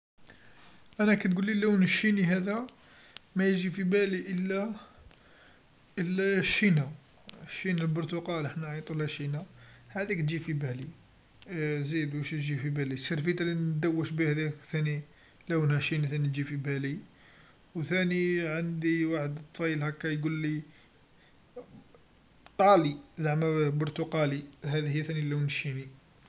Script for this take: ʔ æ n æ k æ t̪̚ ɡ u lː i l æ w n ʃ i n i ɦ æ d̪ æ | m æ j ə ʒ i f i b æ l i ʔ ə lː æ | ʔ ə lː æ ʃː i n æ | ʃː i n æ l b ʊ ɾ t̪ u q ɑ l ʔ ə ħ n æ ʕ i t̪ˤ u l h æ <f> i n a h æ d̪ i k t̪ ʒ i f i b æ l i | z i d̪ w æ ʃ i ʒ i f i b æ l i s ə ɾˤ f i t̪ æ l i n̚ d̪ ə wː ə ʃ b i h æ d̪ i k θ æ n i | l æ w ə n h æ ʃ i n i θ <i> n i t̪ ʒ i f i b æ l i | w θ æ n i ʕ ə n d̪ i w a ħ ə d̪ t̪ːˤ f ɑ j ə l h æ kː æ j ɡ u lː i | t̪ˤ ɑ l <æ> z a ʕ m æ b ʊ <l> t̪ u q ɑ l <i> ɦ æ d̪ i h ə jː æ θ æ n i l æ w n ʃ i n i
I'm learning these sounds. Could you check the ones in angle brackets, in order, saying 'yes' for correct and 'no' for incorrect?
no, no, no, no, yes

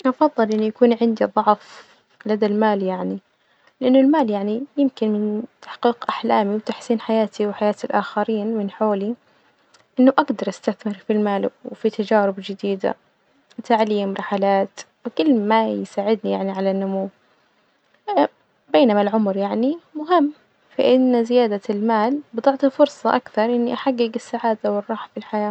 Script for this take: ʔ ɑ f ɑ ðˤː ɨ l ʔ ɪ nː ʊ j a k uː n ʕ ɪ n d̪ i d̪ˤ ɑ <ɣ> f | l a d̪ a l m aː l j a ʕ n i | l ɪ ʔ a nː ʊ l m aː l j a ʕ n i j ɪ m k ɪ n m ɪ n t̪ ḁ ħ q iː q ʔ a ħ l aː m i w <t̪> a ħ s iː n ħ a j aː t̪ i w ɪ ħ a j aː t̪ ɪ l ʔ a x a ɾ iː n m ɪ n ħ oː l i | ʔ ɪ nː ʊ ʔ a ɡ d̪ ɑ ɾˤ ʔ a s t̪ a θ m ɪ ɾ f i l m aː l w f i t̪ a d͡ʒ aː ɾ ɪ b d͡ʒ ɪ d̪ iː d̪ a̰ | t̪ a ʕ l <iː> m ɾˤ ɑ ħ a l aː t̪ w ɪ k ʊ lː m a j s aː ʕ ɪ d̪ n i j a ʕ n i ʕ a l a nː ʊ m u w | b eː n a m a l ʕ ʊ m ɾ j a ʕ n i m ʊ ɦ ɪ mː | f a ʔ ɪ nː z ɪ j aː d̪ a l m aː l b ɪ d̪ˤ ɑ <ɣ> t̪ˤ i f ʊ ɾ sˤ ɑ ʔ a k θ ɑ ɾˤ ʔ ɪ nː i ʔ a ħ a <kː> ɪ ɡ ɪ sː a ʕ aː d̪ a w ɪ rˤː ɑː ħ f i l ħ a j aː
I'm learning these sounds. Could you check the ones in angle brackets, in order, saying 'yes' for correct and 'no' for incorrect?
no, yes, yes, no, no

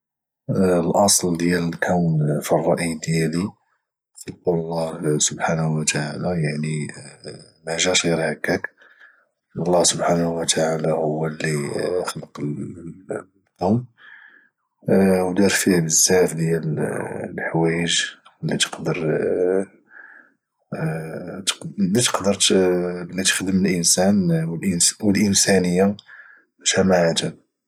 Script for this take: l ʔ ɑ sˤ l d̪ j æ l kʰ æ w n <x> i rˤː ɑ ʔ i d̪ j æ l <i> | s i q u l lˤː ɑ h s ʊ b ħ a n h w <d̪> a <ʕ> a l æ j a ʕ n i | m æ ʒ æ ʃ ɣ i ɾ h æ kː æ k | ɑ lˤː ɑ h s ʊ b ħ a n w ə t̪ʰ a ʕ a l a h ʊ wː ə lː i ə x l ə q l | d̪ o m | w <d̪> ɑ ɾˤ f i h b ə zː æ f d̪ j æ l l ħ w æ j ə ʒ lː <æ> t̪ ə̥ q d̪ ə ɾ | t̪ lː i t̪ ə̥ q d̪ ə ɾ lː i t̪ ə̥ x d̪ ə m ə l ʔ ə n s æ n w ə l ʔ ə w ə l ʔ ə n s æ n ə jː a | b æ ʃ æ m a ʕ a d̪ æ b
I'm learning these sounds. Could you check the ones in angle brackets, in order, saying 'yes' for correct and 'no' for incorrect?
no, yes, no, yes, yes, no

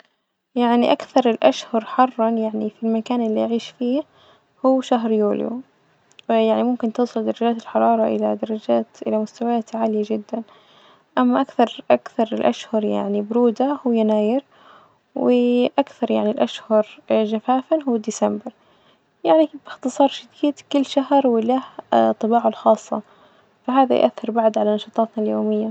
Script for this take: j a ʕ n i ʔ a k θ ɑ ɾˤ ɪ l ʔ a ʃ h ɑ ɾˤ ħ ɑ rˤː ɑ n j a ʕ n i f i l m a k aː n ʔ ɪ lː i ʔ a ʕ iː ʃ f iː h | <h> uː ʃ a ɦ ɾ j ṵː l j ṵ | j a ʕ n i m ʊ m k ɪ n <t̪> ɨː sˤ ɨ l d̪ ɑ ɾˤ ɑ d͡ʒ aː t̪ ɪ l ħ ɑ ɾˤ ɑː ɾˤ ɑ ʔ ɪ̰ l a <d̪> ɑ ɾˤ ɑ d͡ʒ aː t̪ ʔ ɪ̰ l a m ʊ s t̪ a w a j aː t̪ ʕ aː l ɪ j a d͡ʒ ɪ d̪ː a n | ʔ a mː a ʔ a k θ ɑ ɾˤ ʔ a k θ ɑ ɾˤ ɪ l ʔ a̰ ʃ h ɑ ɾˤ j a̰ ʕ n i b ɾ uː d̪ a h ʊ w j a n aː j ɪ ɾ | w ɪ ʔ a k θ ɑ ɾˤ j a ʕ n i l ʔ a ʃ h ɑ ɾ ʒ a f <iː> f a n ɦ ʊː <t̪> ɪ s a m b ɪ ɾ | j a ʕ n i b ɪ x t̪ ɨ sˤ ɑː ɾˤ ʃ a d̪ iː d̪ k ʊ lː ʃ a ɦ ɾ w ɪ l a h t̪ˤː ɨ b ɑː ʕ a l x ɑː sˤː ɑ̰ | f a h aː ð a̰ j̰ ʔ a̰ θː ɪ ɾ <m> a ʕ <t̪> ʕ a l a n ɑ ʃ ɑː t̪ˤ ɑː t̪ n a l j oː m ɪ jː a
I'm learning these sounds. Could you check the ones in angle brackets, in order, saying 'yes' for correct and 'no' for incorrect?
yes, yes, yes, no, no, no, no

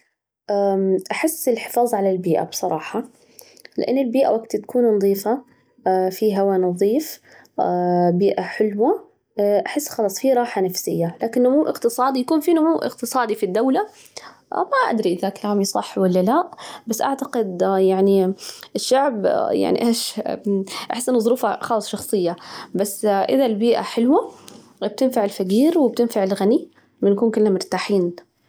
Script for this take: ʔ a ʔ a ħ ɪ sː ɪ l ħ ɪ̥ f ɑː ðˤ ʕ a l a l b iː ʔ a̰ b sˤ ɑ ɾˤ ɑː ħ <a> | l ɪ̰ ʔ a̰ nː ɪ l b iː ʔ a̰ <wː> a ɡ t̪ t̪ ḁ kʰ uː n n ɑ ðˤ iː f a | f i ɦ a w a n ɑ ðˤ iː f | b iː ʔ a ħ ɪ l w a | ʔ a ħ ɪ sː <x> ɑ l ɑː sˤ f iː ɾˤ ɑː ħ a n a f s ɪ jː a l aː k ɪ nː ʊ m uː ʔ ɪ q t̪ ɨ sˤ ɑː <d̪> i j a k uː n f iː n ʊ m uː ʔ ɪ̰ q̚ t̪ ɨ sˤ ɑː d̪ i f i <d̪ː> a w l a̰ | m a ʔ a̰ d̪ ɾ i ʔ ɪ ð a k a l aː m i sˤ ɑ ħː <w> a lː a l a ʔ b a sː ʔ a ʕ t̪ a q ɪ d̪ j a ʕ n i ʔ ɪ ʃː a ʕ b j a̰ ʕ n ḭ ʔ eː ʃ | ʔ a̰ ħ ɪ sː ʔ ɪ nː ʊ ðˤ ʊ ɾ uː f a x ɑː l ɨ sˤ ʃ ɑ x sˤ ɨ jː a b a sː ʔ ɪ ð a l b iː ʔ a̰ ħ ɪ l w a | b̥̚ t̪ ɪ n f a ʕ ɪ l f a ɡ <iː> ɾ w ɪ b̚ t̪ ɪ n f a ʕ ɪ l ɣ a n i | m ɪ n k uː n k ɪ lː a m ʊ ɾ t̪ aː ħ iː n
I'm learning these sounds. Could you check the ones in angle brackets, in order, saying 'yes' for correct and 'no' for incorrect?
no, no, yes, yes, yes, yes, yes

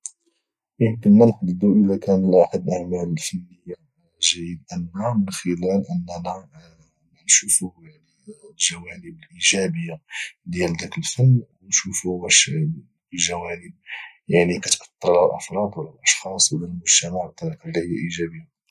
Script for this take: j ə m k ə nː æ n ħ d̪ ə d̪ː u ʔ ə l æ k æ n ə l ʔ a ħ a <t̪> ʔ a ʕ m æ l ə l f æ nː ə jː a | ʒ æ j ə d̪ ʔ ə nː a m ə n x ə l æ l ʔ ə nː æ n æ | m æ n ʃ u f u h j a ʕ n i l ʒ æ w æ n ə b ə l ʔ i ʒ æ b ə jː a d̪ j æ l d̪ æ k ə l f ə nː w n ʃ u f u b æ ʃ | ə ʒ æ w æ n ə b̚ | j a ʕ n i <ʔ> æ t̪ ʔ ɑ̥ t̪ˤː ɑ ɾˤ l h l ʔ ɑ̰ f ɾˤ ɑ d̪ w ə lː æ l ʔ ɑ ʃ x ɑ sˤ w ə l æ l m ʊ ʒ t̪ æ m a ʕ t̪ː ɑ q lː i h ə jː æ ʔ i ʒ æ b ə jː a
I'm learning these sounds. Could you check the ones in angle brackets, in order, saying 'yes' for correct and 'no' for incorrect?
no, no

